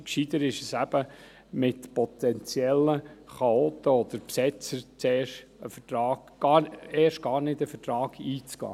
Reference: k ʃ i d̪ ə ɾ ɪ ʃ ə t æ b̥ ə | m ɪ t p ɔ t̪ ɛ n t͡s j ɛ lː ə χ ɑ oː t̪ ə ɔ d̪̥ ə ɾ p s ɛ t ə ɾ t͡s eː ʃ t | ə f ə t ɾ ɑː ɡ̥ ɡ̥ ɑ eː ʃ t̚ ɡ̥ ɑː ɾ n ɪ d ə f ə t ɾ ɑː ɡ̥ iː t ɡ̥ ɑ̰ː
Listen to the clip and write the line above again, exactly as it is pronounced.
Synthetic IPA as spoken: k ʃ i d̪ ə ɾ ɪ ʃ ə s æ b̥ ə | m ɪ t p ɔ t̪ ɛ n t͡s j ɛ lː ə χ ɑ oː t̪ ə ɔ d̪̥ ə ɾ p s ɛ t͡s ə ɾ t͡s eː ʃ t | ə f ə t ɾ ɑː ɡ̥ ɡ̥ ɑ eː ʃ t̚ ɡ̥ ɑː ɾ n ɪ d ə f ə t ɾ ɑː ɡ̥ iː t͡s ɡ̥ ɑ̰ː